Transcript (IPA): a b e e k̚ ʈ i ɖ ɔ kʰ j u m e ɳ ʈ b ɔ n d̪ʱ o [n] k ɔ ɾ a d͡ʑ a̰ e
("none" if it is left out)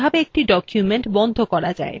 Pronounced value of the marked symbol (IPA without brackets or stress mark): none